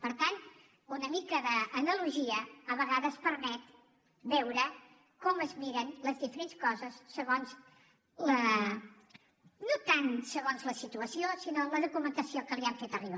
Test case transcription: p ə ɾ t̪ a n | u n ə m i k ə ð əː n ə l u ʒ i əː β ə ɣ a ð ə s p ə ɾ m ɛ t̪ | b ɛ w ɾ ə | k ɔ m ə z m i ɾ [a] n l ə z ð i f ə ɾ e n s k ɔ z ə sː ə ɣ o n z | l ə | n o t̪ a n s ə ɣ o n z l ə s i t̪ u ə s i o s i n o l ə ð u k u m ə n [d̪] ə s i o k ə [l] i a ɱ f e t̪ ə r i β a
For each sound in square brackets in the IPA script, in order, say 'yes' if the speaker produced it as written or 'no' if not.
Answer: no, no, yes

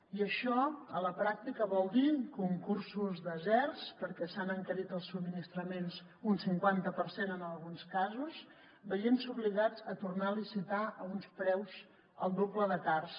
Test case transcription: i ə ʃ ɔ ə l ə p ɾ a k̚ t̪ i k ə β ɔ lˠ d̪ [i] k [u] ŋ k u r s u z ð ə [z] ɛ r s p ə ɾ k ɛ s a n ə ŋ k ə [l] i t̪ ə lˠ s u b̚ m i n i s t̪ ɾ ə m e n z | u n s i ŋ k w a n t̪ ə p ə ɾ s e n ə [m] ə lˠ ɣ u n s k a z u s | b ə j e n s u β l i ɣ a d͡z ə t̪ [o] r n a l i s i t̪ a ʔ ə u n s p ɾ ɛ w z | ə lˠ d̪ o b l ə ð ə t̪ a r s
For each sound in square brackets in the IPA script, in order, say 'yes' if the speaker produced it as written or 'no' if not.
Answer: yes, yes, yes, no, no, no

